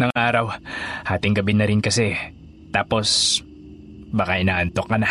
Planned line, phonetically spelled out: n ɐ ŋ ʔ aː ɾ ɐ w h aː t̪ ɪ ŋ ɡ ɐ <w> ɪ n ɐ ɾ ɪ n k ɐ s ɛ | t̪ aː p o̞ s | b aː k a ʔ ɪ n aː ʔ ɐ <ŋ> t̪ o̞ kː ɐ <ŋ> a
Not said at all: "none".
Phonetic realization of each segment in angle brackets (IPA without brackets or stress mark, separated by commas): b, n, n